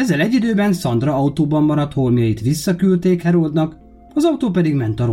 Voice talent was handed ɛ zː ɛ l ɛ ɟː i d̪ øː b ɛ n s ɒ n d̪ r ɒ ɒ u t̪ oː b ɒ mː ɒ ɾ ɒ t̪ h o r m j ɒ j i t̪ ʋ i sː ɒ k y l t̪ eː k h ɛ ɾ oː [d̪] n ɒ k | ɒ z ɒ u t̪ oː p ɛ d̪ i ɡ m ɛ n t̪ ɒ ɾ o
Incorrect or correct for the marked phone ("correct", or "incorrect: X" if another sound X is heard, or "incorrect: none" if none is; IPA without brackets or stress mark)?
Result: correct